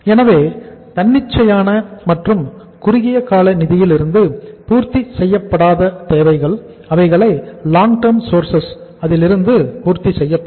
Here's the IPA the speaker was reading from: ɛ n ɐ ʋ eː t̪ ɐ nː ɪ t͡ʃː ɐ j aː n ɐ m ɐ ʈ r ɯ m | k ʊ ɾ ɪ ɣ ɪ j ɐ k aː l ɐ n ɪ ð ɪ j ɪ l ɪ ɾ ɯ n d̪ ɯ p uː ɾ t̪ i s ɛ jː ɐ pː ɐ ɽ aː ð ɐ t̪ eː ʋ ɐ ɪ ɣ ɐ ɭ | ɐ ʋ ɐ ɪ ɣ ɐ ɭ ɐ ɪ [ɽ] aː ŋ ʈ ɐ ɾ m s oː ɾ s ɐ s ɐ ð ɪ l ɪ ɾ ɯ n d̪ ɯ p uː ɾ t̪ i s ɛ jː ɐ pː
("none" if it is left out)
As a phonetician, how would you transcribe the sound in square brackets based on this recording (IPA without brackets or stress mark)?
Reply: l